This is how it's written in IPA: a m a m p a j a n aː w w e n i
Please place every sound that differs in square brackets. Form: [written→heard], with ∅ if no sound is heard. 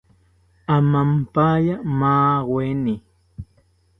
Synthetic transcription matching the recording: a m a m p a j a [n→m] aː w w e n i

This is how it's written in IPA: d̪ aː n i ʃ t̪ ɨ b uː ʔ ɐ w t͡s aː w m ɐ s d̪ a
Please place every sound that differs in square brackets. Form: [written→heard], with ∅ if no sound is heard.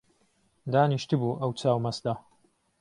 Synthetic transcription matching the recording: d̪ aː n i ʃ t̪ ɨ b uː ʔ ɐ w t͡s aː w m ɐ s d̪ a

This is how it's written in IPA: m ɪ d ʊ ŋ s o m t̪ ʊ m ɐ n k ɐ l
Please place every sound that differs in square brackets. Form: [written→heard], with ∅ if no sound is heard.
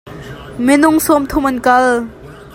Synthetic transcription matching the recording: m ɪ [d→n] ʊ ŋ s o m [t̪→t̪ʰ] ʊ m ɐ n k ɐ l

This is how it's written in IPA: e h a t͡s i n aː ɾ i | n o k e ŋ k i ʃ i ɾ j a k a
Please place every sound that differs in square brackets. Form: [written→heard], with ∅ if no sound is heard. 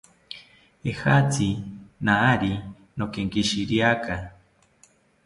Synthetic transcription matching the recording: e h a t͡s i n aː ɾ i | n o k e ŋ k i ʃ i ɾ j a k a

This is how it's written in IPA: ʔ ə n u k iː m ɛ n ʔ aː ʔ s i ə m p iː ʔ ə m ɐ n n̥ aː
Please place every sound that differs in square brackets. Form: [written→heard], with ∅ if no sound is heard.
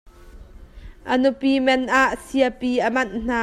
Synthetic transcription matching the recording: ʔ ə n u [k→p] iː m ɛ n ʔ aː ʔ s i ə [m→∅] p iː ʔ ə m ɐ n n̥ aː

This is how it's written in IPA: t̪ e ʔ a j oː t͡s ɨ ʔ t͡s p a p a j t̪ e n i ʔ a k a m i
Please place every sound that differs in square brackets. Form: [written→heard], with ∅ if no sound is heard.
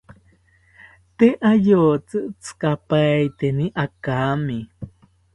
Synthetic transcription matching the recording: t̪ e ʔ a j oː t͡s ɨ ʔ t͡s [p→k] a p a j t̪ e n i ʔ a k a m i

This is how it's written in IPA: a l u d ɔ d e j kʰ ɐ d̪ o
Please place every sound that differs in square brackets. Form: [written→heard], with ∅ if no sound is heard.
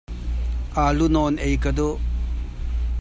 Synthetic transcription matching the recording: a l u [d→n] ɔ [d→n] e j [kʰ→k] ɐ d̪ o

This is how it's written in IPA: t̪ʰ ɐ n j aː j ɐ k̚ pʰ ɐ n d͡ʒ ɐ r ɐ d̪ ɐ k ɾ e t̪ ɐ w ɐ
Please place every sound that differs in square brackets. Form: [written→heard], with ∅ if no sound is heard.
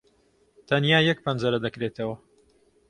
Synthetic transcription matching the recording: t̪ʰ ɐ n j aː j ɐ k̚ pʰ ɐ n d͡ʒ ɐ [r→ɾ] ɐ d̪ ɐ k ɾ e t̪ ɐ w ɐ

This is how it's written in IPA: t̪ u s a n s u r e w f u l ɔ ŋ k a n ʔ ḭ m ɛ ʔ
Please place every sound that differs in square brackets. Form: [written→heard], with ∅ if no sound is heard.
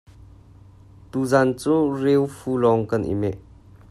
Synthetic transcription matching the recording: t̪ u [s→z] a n [s→t͡s] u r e w f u l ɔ ŋ k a n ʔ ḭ m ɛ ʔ

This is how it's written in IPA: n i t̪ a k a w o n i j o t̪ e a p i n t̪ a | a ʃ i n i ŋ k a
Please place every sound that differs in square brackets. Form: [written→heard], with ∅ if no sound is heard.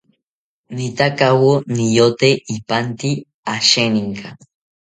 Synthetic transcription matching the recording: n i t̪ a k a w o n i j o t̪ e [a→i] p [i→a] n t̪ [a→i] | a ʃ [i→e] n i ŋ k a

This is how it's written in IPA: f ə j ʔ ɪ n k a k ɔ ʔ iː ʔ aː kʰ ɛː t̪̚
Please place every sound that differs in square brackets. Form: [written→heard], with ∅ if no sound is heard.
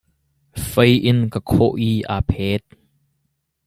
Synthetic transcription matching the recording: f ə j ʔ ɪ n k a [k→kʰ] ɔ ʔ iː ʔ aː [kʰ→pʰ] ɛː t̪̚

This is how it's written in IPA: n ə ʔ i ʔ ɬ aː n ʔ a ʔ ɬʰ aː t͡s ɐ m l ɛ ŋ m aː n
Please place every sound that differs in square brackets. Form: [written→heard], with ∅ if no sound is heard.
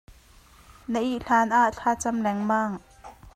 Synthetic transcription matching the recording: n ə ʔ i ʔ ɬ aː n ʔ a ʔ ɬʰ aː t͡s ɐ m l ɛ ŋ m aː [n→ŋ]

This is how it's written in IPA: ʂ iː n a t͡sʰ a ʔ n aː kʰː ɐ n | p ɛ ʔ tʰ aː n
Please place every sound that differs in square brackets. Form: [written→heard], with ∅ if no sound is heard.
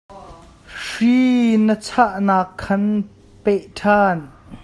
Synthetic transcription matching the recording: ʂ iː n [a→ə] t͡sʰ a ʔ n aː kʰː ɐ n | p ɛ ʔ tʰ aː n

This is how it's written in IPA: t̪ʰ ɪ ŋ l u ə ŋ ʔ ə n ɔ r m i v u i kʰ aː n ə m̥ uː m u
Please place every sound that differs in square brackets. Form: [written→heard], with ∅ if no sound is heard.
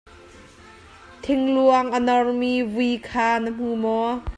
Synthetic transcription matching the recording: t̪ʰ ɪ ŋ l u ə ŋ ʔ ə n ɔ r m i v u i kʰ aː n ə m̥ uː m [u→ɔ]

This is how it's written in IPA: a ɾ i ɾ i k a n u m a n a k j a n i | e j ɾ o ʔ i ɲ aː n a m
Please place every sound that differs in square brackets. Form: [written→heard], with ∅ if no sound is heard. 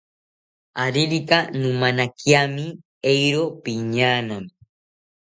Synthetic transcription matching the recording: a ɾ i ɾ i k a n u m a n a k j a [n→m] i | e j ɾ o [ʔ→p] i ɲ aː n a m

